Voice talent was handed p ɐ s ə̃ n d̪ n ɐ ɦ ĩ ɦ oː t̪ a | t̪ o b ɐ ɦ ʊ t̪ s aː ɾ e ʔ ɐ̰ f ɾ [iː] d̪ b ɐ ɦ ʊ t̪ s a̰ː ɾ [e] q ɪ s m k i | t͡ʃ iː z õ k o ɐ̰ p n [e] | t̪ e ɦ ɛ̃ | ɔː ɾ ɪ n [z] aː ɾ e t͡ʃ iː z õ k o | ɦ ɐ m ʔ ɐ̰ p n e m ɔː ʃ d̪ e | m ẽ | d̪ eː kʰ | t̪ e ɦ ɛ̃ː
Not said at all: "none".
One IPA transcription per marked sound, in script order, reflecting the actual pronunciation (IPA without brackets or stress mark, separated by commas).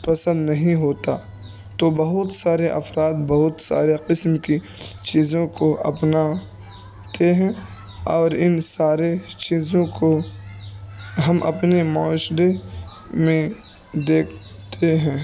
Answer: aː, e, a, s